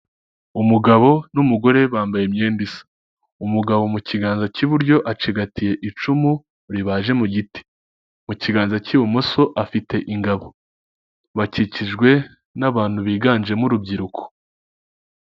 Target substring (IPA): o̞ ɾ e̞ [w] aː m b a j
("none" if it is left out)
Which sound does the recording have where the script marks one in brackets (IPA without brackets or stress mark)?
β